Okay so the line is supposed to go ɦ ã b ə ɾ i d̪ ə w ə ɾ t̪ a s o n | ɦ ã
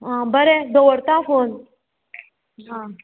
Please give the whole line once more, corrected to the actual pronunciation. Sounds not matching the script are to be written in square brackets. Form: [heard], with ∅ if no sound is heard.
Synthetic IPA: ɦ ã b ə ɾ [e] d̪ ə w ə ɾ t̪ a [f] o n | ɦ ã

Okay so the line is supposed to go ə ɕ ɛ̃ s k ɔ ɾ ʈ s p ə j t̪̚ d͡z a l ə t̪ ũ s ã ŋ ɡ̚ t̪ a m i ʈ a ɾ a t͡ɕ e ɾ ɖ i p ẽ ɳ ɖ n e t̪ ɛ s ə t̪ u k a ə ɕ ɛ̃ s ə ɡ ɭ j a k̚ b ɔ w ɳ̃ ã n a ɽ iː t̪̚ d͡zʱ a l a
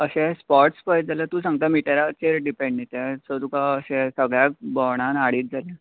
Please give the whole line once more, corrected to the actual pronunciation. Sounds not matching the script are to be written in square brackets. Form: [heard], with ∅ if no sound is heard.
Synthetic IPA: ə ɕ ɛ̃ s [p] ɔ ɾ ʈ s p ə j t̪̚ d͡z a l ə t̪ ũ s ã ŋ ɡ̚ t̪ a m i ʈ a ɾ a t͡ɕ e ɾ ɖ i p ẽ ɳ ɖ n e t̪ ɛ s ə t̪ u k a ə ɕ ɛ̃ s ə ɡ ɭ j a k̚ b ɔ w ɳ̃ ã n a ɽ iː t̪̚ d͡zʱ a l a

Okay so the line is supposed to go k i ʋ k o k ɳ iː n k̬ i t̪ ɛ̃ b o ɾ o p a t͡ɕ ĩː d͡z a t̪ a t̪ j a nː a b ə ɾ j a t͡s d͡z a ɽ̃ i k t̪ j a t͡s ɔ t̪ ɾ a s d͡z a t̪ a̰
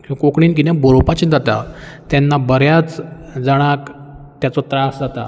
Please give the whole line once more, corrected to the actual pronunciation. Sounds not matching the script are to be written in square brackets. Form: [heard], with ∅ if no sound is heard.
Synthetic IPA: k i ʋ k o k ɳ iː n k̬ i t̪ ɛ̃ b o ɾ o p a t͡ɕ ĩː d͡z a t̪ a t̪ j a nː a b ə ɾ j a t͡s d͡z a ɽ̃ [a] k t̪ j a t͡s ɔ t̪ ɾ a s d͡z a t̪ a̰

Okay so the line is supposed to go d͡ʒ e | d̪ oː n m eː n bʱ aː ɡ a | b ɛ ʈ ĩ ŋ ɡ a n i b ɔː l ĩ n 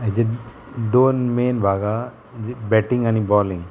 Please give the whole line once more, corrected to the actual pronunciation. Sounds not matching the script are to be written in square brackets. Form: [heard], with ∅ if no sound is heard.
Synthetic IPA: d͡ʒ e | d̪ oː n m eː n bʱ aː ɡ a | b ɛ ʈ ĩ ŋ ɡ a n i b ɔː l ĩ [ŋ]

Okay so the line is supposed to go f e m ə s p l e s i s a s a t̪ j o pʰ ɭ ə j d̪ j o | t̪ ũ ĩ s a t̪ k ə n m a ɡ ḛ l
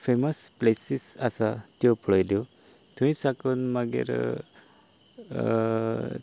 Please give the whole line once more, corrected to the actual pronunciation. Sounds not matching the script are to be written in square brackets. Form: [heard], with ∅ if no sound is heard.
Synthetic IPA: f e m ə s p l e s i s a s a t̪ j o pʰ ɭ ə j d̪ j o | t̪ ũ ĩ s a [∅] k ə n m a ɡ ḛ [ɾ]

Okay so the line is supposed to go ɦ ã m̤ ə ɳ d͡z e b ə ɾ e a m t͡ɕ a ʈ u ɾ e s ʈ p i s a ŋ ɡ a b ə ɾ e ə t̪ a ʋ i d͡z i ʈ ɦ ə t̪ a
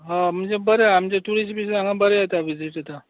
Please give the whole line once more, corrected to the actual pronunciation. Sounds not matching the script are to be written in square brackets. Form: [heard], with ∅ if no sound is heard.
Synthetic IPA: ɦ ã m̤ ə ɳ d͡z e b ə ɾ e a m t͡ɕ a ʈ u ɾ [i] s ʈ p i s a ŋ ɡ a b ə ɾ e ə t̪ a ʋ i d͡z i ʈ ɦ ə t̪ a

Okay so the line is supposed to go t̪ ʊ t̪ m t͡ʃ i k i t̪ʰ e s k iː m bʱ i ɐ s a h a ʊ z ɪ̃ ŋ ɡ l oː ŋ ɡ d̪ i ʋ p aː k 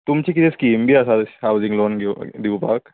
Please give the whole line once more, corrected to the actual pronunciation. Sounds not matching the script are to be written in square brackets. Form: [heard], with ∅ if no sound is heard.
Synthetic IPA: t̪ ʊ [∅] m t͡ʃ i k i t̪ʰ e s k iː m bʱ i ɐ s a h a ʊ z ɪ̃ ŋ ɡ l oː [n] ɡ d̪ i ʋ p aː k

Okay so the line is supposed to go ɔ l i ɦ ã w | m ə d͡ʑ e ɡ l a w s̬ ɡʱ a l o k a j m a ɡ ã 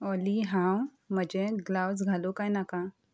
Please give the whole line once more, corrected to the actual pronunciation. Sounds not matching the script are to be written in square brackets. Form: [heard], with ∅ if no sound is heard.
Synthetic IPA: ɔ l i ɦ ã w | m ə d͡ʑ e ɡ l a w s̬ ɡʱ a l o k a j [n] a [k] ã

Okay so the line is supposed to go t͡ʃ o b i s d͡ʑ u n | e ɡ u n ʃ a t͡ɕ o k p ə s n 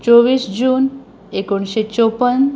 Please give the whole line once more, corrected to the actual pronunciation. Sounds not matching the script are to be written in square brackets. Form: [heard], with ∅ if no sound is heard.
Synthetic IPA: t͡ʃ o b i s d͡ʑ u n | e [k] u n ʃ [e] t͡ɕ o [∅] p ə [∅] n

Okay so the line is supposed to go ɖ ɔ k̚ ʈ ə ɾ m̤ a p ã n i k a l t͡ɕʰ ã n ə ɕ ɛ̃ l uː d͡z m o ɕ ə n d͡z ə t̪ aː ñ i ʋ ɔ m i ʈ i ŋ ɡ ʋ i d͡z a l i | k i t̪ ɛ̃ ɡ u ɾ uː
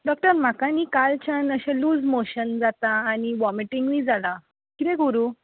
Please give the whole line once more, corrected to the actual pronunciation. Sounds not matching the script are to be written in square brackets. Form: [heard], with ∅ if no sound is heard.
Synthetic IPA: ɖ ɔ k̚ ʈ ə ɾ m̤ a [k] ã n i k a l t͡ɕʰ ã n ə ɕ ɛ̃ l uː d͡z m o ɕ ə n d͡z [a] t̪ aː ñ i ʋ ɔ m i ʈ i ŋ ɡ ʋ i d͡z a l [a] | k i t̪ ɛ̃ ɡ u ɾ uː

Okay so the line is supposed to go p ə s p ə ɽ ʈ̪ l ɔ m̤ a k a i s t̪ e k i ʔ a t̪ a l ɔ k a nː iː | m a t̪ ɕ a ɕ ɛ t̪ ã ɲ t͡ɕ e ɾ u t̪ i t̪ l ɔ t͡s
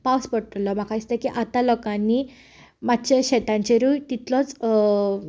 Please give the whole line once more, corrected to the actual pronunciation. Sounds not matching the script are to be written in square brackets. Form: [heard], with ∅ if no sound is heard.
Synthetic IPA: p [a] s p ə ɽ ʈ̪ l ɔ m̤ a k a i s t̪ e k i ʔ a t̪ a l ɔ k a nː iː | m a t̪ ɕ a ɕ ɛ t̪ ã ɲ t͡ɕ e ɾ u t̪ i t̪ l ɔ t͡s

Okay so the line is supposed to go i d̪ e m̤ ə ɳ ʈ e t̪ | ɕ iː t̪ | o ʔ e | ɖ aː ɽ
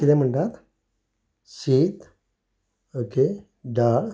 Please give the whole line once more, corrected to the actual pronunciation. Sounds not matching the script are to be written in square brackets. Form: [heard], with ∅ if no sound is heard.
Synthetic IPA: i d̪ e m̤ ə ɳ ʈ [a] t̪ | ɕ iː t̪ | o [k] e | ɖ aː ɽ

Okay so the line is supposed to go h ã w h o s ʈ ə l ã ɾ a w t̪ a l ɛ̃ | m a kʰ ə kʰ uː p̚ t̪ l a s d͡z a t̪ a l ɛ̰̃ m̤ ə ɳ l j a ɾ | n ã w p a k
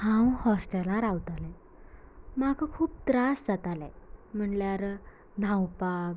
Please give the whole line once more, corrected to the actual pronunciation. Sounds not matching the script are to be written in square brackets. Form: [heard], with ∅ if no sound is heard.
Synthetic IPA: h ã w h [ɔ] s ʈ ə l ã ɾ a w t̪ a l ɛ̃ | m a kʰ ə kʰ uː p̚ t̪ [ɾ] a s d͡z a t̪ a l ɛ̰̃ m̤ ə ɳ l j a ɾ | n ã w p a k

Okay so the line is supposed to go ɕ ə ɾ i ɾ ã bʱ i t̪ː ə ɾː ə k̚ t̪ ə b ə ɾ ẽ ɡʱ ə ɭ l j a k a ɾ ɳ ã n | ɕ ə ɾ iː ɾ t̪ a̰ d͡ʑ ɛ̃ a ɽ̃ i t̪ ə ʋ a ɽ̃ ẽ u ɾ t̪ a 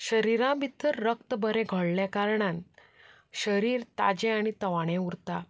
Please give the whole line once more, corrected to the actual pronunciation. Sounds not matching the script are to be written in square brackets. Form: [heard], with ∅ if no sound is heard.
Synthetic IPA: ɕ ə ɾ i ɾ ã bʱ i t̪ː ə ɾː ə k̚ t̪ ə b ə ɾ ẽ ɡʱ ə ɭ l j a k a ɾ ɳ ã n | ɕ ə ɾ iː ɾ t̪ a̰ d͡ʑ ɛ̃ a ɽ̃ i t̪ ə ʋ a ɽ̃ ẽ u ɾ t̪ a

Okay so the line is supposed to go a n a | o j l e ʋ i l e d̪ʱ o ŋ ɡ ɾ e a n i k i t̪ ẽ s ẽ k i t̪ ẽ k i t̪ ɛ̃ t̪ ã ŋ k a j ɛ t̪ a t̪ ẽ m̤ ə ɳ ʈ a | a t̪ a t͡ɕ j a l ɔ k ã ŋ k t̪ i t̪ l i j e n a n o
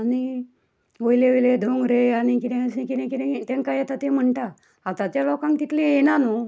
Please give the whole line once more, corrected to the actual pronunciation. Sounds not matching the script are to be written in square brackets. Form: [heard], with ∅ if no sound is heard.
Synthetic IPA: a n [i] | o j l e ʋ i l e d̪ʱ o ŋ ɡ ɾ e a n i k i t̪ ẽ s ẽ k i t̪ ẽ k i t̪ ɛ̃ t̪ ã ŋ k a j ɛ t̪ a t̪ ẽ m̤ ə ɳ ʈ a | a t̪ a t͡ɕ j a l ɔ k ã ŋ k t̪ i t̪ l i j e n a n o

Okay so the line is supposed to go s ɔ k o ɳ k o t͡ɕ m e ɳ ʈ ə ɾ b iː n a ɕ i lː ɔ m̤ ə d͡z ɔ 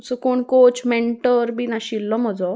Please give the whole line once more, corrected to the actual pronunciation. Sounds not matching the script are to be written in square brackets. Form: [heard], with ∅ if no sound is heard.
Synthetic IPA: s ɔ k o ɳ k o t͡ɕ m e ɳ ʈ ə ɾ b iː n a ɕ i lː ɔ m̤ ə d͡z ɔ

